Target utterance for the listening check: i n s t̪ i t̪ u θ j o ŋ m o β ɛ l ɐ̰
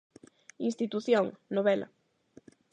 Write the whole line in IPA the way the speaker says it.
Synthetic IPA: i n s t̪ i t̪ u θ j o ŋ n o β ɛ l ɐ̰